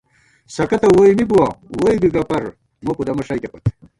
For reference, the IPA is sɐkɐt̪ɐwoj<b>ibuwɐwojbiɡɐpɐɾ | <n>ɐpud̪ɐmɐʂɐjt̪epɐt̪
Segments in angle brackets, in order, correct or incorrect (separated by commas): incorrect, incorrect